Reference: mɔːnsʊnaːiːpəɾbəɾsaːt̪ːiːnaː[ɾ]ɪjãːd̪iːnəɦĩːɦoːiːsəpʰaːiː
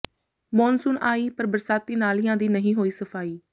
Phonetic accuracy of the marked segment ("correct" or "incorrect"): incorrect